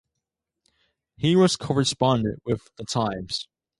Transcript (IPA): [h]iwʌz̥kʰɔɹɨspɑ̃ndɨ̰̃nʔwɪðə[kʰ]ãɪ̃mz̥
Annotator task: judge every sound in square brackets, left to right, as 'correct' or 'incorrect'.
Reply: correct, incorrect: tʰ

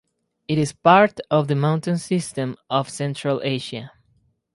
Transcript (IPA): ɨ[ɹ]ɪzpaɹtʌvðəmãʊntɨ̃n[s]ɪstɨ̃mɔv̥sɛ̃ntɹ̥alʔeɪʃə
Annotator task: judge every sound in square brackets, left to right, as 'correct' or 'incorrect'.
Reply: incorrect: ɾ, correct

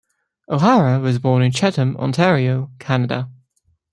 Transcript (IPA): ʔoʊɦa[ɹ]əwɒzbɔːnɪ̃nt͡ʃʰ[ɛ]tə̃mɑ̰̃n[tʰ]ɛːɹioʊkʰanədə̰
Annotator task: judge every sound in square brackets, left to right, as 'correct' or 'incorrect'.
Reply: correct, correct, correct

